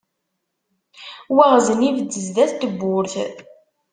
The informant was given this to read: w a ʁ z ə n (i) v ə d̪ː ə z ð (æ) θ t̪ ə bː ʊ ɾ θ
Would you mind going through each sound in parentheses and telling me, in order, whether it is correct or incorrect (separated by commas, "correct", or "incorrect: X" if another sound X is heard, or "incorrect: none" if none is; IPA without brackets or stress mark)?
correct, correct